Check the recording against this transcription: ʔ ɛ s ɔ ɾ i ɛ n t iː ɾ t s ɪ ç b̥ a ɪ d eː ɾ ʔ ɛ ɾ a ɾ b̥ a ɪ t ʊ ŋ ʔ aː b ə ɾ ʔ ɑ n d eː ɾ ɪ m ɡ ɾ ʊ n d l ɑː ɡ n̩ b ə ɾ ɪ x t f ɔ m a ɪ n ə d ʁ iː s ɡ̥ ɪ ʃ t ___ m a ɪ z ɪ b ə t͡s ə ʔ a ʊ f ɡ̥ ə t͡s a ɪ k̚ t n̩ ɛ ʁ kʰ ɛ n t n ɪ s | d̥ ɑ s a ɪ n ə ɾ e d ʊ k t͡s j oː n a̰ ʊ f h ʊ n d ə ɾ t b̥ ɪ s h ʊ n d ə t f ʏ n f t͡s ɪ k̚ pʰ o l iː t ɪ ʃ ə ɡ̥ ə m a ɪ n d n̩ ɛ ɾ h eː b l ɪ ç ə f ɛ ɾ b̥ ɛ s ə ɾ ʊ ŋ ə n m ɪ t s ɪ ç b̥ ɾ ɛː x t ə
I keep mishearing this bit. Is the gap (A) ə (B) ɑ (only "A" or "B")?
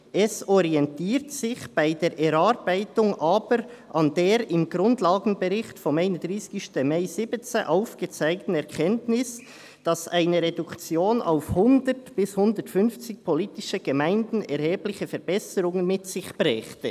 A